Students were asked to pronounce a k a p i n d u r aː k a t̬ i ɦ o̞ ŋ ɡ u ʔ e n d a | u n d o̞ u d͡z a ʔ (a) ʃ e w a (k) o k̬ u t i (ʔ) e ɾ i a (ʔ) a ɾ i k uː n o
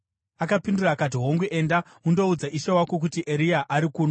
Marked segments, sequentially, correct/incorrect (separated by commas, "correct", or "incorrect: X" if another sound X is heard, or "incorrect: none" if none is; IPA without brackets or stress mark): incorrect: i, correct, correct, correct